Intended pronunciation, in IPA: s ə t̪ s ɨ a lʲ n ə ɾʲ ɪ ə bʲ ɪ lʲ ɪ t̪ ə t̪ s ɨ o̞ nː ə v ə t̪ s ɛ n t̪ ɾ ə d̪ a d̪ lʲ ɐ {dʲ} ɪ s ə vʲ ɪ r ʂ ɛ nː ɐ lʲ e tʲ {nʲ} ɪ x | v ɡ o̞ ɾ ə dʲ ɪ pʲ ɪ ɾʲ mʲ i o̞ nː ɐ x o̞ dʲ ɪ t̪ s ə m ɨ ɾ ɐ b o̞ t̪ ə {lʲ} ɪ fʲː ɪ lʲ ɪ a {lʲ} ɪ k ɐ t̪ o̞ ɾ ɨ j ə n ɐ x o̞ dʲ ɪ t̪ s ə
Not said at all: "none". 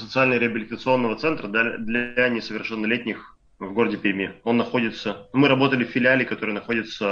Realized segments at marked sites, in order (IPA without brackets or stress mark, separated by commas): nʲ, nʲ, lʲ, lʲ